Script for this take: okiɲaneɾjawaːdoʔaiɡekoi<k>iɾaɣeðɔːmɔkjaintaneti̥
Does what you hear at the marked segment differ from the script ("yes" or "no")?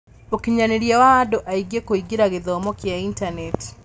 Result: yes